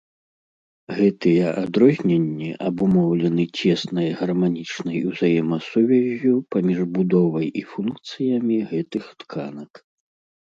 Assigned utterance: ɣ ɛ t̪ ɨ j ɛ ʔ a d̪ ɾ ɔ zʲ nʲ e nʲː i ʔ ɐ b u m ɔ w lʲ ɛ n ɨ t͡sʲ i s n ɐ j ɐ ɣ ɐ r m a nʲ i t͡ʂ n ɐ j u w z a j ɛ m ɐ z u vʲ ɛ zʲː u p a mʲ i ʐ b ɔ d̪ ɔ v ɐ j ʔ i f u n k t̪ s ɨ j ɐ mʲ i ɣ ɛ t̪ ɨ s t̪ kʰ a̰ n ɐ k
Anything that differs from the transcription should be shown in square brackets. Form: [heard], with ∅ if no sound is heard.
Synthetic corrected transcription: ɣ ɛ t̪ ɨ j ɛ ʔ a d̪ ɾ ɔ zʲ nʲ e nʲː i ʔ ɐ b u m ɔ w lʲ ɛ n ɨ t͡sʲ [ɛ] s n ɐ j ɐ ɣ ɐ r m a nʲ i t͡ʂ n ɐ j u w z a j ɛ m ɐ [s] u vʲ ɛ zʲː u p a mʲ i ʐ b [u] d̪ ɔ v ɐ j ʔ i f u n k t̪ s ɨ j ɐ mʲ i ɣ ɛ t̪ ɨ [x] t̪ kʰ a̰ n ɐ k

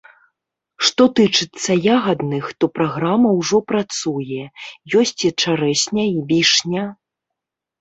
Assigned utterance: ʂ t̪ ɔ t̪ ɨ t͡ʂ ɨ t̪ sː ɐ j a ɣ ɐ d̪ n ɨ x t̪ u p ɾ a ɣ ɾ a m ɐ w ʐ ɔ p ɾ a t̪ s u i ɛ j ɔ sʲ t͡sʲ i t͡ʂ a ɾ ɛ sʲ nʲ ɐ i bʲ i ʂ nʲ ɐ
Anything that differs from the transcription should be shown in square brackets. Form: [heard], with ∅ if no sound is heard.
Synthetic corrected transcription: ʂ t̪ ɔ t̪ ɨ t͡ʂ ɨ t̪ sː ɐ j a ɣ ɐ d̪ n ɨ x t̪ [ɔ] p ɾ a ɣ ɾ a m ɐ w ʐ ɔ p ɾ a t̪ s u [j] ɛ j ɔ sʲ t͡sʲ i t͡ʂ a ɾ ɛ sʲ nʲ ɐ i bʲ i ʂ nʲ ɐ

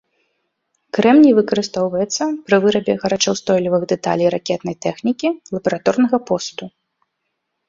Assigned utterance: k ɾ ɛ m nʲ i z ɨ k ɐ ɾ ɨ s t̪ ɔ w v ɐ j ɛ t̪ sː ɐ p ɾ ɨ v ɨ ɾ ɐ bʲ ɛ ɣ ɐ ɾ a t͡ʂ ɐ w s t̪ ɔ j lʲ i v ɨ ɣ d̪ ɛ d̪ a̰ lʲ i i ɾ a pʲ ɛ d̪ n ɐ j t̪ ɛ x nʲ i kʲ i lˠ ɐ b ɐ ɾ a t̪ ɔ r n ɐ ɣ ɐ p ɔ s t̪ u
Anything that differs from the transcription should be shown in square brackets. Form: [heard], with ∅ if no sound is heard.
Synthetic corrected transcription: k ɾ ɛ m nʲ i [v] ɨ k ɐ ɾ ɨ s t̪ ɔ w v ɐ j ɛ t̪ sː ɐ p ɾ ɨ v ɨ ɾ ɐ bʲ ɛ ɣ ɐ ɾ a t͡ʂ ɐ w s t̪ ɔ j lʲ i v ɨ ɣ d̪ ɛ [t̪] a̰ lʲ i [j] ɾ a [kʲ] ɛ [t̪] n ɐ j t̪ ɛ x nʲ i kʲ i lˠ ɐ b ɐ ɾ a t̪ ɔ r n ɐ ɣ ɐ p ɔ s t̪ u

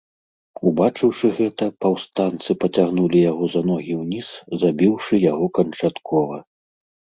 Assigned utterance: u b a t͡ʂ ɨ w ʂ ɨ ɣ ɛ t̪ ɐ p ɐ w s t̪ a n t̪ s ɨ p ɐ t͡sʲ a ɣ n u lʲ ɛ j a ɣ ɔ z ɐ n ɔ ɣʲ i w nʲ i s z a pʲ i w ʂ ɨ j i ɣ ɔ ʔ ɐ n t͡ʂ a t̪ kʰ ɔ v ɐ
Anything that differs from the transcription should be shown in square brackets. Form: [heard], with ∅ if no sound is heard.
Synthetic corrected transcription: u b a t͡ʂ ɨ w ʂ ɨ ɣ ɛ t̪ ɐ p ɐ w s t̪ a n t̪ s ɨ p ɐ t͡sʲ a ɣ n u lʲ [i] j a ɣ ɔ z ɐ n ɔ ɣʲ i w nʲ i s z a [bʲ] i w ʂ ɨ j [a] ɣ ɔ [k] ɐ n t͡ʂ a t̪ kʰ ɔ v ɐ

